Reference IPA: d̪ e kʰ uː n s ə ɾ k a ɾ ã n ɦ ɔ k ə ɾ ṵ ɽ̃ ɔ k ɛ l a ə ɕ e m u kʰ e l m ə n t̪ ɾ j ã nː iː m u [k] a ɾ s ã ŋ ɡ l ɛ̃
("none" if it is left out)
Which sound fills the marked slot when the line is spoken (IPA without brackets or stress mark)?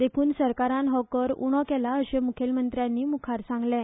kʰ